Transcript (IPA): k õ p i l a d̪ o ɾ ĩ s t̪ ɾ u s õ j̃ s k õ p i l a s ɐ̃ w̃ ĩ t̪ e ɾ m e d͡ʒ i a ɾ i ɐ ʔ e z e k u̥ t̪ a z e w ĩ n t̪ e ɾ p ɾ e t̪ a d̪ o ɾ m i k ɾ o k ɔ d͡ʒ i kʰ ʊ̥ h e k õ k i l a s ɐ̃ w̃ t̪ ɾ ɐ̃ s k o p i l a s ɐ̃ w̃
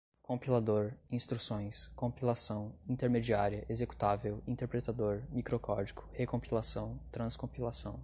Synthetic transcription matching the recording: k õ p i l a d̪ o ɾ ĩ s t̪ ɾ u s õ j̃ s k õ p i l a s ɐ̃ w̃ ĩ t̪ e ɾ m e d͡ʒ i a ɾ i ɐ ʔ e z e k u̥ t̪ a v e w ĩ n t̪ e ɾ p ɾ e t̪ a d̪ o ɾ m i k ɾ o k ɔ d͡ʒ i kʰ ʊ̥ h e k õ p i l a s ɐ̃ w̃ t̪ ɾ ɐ̃ s k õ p i l a s ɐ̃ w̃